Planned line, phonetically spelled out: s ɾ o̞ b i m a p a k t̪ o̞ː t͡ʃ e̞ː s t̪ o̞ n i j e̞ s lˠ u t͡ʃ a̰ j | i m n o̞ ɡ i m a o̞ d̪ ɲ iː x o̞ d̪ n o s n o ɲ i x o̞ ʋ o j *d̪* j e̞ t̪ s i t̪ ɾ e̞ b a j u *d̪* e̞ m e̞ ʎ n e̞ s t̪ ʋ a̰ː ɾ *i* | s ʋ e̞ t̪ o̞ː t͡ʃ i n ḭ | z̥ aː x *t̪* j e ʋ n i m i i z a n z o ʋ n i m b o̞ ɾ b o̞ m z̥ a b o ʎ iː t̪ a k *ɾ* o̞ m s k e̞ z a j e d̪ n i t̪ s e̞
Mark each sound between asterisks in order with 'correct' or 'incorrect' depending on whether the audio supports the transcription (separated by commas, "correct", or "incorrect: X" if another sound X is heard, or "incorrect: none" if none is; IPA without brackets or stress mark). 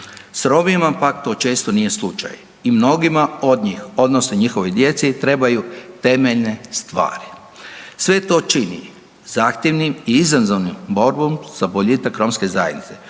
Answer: correct, incorrect: t̪, correct, correct, correct